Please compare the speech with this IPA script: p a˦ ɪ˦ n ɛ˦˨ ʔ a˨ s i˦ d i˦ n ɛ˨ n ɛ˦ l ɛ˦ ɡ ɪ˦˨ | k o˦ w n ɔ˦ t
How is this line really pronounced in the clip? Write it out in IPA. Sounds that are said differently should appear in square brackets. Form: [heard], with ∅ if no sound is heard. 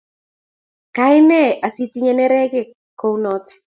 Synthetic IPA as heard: [k] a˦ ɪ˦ n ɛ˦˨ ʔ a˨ s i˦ [t] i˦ [ɲ] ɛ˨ n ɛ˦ [ɾ] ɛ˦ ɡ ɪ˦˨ | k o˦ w n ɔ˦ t